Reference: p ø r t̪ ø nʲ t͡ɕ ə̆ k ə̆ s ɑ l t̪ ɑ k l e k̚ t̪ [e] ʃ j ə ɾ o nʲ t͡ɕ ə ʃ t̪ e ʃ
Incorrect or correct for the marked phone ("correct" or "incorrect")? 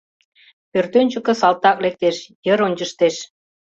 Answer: correct